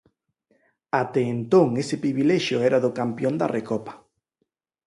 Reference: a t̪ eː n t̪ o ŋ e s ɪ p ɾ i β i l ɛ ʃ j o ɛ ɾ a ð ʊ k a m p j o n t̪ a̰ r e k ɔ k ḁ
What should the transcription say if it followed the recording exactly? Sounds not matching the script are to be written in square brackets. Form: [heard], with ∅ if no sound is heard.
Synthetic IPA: a t̪ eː n t̪ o ŋ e s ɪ p ɾ i β i l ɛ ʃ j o ɛ ɾ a ð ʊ k a m p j o n [d̪] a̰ r e k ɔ [p] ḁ